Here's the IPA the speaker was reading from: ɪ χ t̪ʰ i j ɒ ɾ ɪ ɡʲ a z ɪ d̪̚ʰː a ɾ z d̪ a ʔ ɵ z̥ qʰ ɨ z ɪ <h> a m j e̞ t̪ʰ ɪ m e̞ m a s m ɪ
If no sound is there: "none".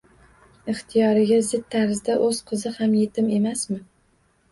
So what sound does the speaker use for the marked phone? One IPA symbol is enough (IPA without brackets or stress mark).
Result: h